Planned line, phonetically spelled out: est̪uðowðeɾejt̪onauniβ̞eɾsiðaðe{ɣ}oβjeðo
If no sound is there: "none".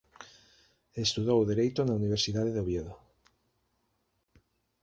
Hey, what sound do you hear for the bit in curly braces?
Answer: ð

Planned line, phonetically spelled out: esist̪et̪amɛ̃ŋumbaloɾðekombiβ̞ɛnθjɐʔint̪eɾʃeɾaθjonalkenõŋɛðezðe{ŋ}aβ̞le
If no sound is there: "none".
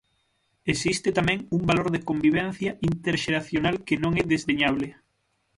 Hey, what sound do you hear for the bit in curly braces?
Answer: ɲ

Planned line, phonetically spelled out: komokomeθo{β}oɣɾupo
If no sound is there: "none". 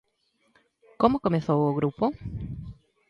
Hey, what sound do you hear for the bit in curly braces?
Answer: w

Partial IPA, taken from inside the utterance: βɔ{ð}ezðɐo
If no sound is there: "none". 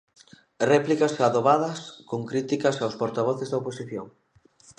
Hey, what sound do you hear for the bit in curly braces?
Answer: θ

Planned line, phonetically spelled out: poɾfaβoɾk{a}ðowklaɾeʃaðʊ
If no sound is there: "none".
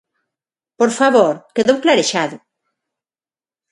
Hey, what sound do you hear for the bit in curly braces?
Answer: e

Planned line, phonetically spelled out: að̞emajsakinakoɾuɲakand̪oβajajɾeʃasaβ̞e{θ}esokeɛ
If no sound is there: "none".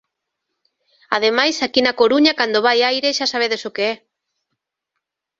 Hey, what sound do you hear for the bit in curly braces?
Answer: ð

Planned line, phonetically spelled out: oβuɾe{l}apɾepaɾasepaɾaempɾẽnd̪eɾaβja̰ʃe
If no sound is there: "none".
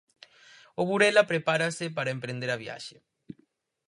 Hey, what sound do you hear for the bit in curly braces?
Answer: l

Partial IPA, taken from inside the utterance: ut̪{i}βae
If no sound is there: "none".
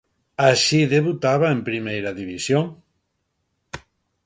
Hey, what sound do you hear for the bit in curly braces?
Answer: a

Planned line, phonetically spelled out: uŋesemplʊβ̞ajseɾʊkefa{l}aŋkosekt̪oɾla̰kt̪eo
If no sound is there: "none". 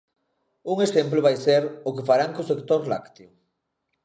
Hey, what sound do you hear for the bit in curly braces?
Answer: ɾ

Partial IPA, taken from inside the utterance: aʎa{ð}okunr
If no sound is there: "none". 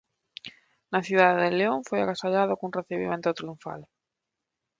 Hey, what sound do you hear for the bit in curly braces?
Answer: ð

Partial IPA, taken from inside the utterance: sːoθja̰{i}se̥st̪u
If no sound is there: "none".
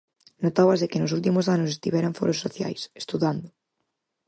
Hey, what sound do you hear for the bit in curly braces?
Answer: j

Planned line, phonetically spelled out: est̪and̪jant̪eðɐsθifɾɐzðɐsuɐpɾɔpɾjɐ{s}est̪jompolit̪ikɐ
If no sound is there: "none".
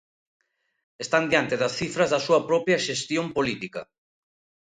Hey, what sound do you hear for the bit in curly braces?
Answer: ʃ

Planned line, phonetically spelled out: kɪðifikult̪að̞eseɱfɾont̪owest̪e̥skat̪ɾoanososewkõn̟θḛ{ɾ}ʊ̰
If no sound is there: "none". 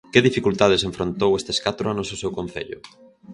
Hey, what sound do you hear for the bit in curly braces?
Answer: ʎ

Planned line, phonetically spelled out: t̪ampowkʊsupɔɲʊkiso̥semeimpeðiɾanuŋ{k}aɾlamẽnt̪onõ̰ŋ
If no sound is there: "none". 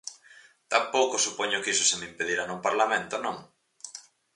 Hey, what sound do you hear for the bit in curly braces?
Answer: p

